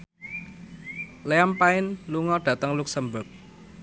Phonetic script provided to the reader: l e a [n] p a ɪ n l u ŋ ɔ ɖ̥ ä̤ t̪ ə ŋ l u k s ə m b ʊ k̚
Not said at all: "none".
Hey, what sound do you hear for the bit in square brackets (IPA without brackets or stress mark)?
m